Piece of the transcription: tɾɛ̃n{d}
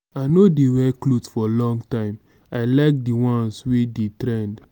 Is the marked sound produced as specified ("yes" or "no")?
yes